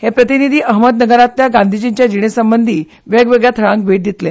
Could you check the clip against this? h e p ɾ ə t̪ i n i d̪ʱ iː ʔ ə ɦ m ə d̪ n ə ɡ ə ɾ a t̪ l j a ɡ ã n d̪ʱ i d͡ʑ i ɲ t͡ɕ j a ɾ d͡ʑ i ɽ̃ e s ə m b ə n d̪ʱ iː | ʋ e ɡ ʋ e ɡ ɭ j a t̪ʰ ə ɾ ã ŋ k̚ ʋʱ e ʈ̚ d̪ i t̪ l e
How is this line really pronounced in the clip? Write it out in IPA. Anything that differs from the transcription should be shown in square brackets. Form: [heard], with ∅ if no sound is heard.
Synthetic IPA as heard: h e p ɾ ə t̪ i n i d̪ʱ iː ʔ ə ɦ m ə d̪ n ə ɡ ə ɾ a t̪ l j a ɡ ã n d̪ʱ i d͡ʑ i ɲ t͡ɕ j a [∅] d͡ʑ i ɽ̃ e s ə m b ə n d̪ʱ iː | ʋ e ɡ ʋ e ɡ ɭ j a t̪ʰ ə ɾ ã ŋ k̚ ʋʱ e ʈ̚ d̪ i t̪ l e